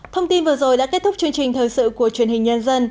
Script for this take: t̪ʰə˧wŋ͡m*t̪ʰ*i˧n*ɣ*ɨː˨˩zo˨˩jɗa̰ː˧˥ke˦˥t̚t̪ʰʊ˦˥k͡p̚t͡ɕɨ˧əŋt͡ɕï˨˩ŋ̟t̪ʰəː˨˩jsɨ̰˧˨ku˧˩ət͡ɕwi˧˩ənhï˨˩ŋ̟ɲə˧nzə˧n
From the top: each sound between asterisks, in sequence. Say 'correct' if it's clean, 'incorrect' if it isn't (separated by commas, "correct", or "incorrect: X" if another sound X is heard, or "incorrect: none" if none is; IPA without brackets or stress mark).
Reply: incorrect: t̪, incorrect: v